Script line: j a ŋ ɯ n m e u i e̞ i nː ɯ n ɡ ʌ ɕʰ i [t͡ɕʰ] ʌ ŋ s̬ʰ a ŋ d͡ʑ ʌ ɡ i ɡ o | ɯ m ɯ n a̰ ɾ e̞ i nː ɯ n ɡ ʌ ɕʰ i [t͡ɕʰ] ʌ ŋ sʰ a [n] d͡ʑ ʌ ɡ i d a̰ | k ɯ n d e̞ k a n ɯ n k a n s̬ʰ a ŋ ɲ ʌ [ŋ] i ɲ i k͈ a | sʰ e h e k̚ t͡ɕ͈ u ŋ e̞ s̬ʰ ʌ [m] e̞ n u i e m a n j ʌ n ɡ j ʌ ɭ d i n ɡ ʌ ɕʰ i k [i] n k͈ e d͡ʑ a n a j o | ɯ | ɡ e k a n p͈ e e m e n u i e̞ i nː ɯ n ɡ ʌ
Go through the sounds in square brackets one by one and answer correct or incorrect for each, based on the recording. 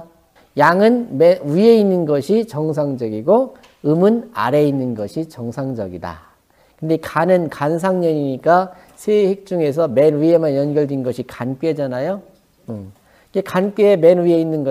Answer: incorrect: t͡ɕ, incorrect: t͡ɕ, incorrect: ŋ, incorrect: ɲ, correct, incorrect: a

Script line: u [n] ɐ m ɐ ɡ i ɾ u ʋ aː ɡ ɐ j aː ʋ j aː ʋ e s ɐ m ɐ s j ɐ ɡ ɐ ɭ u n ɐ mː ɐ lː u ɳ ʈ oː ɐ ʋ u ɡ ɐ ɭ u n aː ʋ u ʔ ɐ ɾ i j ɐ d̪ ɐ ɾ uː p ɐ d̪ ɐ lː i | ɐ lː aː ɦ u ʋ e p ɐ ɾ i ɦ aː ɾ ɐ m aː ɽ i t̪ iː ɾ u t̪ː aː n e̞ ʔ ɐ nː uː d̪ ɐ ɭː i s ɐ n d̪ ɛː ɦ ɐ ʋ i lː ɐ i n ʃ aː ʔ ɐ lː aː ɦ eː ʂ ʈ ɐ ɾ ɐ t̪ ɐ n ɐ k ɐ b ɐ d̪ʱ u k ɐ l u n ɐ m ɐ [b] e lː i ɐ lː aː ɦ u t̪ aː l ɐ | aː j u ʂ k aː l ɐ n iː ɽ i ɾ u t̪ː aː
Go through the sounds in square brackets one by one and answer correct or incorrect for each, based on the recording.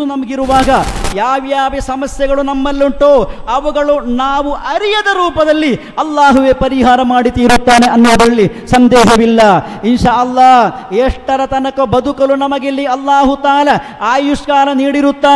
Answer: correct, incorrect: ɡ

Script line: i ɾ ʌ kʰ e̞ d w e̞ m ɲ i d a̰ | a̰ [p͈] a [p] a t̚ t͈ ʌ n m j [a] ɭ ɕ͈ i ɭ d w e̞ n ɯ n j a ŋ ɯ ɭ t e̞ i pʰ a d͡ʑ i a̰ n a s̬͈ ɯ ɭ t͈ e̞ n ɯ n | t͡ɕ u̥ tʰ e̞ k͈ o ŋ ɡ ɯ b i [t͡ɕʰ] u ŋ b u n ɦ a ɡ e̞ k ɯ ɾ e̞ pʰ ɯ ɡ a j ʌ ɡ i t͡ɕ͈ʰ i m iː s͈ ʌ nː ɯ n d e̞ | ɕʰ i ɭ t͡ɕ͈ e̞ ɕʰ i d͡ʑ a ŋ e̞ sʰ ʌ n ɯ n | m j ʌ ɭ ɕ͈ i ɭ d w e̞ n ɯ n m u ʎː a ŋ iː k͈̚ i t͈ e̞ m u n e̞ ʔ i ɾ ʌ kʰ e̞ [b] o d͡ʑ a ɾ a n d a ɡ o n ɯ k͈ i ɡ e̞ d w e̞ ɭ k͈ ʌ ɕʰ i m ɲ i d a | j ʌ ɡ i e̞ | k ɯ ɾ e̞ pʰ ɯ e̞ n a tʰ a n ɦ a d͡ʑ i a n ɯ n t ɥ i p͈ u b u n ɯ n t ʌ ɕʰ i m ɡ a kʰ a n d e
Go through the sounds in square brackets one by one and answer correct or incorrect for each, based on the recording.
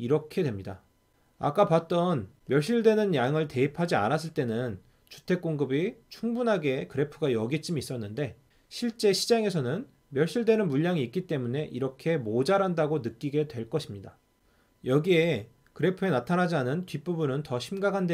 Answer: incorrect: k͈, correct, incorrect: ʌ, correct, incorrect: m

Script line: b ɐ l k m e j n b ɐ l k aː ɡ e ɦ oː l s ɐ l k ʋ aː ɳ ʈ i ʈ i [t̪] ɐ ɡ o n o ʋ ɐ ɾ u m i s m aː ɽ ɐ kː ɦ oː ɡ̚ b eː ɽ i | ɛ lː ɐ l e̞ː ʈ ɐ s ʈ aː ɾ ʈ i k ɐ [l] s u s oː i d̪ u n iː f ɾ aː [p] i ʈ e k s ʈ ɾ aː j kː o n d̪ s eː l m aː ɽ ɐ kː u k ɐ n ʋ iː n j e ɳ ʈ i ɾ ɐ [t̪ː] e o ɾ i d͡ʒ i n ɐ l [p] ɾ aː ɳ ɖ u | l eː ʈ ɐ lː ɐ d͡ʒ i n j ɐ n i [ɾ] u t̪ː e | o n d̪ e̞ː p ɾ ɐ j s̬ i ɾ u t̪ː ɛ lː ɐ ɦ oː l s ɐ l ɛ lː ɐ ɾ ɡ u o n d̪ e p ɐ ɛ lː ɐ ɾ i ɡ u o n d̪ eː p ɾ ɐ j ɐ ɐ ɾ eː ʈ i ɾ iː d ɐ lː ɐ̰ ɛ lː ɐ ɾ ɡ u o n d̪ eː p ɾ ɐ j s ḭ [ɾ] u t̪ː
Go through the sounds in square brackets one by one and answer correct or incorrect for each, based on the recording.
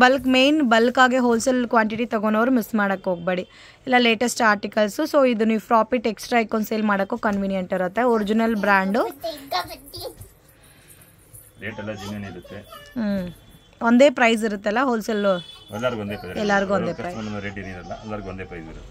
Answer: correct, correct, correct, correct, incorrect: b, correct, correct

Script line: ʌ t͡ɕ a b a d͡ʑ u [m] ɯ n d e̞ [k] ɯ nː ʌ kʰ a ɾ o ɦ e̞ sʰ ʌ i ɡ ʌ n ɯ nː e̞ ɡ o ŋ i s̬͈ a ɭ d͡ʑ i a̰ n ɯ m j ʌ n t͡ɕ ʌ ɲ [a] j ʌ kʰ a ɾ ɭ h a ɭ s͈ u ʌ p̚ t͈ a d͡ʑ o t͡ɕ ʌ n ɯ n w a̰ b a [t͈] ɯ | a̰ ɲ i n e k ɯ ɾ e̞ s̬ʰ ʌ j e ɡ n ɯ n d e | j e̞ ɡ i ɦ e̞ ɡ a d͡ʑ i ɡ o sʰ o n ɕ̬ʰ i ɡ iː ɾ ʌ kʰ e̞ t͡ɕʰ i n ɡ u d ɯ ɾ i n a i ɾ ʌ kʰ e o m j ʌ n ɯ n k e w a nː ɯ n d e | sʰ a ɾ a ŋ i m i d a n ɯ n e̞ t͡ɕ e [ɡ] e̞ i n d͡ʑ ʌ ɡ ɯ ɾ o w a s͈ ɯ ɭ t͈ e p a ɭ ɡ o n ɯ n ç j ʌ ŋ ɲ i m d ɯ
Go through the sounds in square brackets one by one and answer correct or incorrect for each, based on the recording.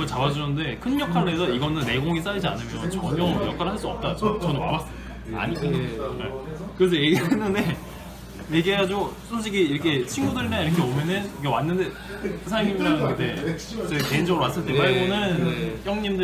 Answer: incorrect: n, incorrect: kʰ, incorrect: ʌ, incorrect: s͈, incorrect: k

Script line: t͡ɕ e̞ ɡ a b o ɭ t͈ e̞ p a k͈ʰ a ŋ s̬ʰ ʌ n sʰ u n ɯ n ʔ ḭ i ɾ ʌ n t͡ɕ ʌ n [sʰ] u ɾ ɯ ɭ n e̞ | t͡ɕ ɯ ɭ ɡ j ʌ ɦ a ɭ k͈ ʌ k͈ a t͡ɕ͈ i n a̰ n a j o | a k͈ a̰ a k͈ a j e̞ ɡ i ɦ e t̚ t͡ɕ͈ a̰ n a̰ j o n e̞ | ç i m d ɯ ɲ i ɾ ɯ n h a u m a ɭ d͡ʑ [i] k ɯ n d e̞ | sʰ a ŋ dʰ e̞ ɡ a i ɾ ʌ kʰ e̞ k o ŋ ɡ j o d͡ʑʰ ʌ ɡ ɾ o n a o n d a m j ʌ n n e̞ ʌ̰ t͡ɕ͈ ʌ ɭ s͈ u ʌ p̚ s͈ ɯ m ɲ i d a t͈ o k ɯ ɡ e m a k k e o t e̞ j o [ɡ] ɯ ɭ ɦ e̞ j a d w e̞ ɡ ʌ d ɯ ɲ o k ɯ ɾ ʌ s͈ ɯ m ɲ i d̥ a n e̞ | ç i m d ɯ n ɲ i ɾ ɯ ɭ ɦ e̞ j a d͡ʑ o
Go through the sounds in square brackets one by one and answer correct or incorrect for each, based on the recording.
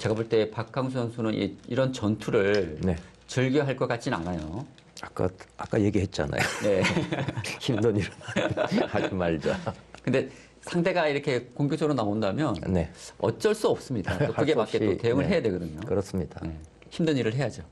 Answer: incorrect: tʰ, incorrect: a, incorrect: ŋ

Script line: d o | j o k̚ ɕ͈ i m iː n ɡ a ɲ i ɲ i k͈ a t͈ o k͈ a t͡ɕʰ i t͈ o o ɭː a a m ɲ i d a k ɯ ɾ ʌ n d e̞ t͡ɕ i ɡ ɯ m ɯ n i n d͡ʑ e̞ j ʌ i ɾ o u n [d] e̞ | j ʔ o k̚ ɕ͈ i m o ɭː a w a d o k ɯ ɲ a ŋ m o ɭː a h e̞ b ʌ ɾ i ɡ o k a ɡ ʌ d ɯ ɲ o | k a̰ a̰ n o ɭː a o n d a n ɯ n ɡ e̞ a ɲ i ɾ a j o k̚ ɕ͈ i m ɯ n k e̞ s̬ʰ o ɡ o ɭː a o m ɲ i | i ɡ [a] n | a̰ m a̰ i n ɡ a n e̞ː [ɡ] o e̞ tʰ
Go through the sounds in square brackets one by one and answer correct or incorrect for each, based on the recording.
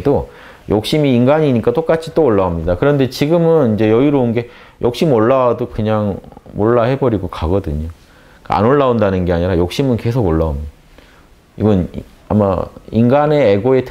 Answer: incorrect: ɡ, incorrect: ʌ, correct

